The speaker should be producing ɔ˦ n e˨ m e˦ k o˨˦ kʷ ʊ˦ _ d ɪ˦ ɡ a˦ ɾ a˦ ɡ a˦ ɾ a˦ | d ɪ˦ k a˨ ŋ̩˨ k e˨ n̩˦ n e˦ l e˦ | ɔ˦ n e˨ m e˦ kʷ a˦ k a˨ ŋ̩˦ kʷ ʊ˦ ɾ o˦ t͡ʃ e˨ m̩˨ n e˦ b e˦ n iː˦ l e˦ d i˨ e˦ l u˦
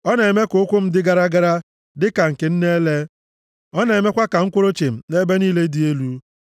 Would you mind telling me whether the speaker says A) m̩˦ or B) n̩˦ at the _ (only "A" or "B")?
A